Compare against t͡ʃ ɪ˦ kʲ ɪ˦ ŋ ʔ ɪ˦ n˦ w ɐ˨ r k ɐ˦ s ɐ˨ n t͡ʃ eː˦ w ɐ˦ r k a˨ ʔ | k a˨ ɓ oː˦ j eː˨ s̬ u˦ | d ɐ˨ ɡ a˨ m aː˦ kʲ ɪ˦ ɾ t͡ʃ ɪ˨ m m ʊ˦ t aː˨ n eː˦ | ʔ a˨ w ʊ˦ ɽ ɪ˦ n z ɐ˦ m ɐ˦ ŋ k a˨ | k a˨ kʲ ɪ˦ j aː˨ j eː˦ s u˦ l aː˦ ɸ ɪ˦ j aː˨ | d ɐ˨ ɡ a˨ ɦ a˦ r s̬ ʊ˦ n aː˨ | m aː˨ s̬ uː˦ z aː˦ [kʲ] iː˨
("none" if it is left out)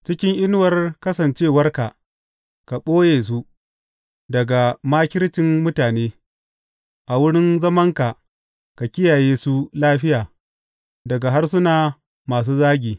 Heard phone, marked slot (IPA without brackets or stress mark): ɡʲ